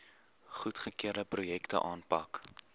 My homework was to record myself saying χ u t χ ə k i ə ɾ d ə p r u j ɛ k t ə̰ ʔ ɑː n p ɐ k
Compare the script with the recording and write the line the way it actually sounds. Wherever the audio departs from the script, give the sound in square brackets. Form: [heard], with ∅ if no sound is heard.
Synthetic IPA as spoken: χ u t χ ə k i ə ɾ d ə p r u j ɛ k t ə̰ ʔ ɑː n p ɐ k